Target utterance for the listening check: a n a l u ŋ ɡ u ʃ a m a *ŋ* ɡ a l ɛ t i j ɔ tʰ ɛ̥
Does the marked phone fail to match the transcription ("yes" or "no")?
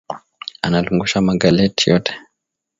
yes